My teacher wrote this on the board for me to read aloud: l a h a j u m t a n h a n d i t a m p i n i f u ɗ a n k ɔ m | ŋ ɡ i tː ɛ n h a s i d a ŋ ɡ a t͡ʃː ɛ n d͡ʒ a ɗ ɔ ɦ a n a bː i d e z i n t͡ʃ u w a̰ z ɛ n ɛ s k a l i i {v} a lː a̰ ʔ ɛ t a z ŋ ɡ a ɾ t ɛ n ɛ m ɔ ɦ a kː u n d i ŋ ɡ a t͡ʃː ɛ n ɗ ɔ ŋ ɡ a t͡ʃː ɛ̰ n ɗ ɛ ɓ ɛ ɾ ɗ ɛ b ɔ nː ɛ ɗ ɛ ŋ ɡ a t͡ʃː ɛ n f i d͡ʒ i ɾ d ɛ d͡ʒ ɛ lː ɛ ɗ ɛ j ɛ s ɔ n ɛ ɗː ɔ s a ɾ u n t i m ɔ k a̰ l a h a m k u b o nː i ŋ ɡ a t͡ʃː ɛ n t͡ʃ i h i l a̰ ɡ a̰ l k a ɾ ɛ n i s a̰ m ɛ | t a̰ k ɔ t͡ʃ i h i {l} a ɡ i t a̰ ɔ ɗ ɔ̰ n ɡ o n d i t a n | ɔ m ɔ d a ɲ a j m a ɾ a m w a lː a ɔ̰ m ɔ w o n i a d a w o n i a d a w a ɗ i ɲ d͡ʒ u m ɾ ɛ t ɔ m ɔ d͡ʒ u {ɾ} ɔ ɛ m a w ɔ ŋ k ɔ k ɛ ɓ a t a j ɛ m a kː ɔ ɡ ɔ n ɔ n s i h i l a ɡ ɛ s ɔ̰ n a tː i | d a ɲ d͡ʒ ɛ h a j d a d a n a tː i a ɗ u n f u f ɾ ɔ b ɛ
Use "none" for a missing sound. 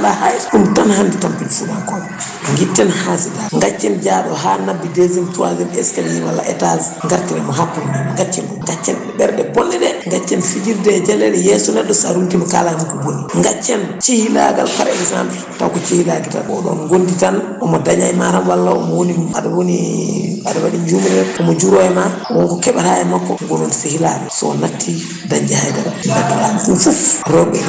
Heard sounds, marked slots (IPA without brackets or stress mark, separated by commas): w, l, ɾ